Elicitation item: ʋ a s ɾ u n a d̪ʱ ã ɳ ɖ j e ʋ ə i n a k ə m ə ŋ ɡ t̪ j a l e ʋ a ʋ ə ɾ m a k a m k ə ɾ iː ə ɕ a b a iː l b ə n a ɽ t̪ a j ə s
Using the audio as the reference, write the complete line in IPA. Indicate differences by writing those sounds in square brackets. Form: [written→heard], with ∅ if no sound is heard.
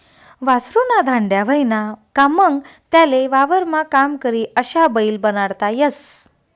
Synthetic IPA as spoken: ʋ a s ɾ u n a d̪ʱ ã ɳ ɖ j [e→a] ʋ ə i n a k [ə→a] m ə ŋ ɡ t̪ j a l e ʋ a ʋ ə ɾ m a k a m k ə ɾ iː ə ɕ a b [a→ə] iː l b ə n a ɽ t̪ a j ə s